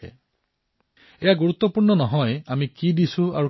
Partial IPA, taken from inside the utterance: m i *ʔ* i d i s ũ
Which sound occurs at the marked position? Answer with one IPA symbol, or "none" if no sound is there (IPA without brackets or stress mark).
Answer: k